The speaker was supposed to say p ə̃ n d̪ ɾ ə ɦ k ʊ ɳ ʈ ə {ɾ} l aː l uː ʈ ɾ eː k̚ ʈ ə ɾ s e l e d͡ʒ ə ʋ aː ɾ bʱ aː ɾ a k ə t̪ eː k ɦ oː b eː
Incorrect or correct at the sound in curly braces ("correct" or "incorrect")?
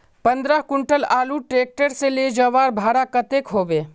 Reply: incorrect